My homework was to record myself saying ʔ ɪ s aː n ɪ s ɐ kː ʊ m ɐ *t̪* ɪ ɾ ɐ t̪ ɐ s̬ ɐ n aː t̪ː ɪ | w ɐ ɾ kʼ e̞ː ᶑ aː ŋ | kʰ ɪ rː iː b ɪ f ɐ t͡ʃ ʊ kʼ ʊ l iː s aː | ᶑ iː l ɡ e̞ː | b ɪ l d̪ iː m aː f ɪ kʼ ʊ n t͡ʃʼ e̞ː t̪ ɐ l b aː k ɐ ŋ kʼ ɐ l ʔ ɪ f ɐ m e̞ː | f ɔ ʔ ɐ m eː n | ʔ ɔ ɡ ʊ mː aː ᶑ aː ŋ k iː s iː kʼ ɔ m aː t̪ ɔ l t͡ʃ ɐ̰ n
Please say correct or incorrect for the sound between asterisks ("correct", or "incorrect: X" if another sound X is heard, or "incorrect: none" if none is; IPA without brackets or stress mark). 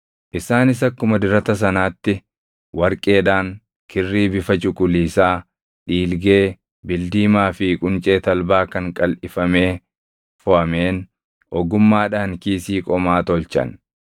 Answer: incorrect: d̪